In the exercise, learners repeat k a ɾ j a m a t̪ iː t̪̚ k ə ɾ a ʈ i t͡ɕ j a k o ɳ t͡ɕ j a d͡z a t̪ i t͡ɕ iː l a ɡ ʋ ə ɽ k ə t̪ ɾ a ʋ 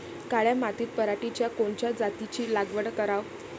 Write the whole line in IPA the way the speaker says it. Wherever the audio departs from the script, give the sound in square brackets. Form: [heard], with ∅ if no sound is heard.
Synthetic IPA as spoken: k a [ɭ] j a m a t̪ iː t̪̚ [p] ə ɾ a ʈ i t͡ɕ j a k o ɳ t͡ɕ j a d͡z a t̪ i t͡ɕ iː l a ɡ ʋ ə ɽ k ə [∅] ɾ a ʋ